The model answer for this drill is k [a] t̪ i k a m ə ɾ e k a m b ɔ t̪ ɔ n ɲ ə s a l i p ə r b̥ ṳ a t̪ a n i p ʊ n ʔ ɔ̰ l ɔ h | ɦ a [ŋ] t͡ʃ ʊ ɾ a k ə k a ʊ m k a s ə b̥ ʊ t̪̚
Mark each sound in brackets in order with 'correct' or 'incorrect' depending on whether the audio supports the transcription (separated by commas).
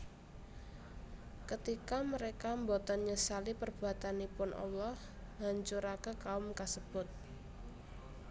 incorrect, incorrect